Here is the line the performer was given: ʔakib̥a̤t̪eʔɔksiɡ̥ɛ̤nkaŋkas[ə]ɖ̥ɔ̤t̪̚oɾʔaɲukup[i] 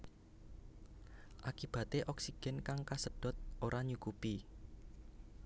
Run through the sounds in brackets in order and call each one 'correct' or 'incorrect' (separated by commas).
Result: correct, correct